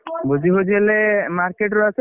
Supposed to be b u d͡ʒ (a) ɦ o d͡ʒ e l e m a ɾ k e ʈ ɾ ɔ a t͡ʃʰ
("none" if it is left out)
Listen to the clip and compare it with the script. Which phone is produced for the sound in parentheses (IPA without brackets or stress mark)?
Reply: i